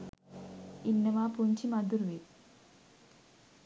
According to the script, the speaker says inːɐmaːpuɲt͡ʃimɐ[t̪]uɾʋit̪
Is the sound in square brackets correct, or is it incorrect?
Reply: incorrect